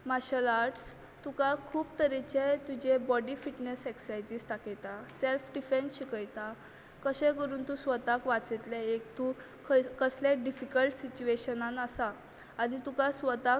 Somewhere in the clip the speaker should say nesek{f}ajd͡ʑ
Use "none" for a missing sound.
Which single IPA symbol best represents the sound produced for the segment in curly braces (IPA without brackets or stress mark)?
s